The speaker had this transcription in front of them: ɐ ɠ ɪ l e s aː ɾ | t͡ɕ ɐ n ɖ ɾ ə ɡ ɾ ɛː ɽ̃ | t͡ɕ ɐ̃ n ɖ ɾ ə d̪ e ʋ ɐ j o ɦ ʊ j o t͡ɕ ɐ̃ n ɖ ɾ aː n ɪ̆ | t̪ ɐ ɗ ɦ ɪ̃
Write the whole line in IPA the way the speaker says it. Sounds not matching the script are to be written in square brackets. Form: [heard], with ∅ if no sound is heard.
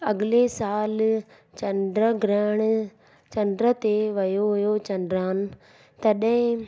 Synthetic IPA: ɐ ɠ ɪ l e s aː [l] | t͡ɕ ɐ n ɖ ɾ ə ɡ ɾ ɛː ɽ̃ | t͡ɕ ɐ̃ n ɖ ɾ ə [t̪] e ʋ ɐ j o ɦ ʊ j o t͡ɕ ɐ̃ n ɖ ɾ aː n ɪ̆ | t̪ ɐ ɗ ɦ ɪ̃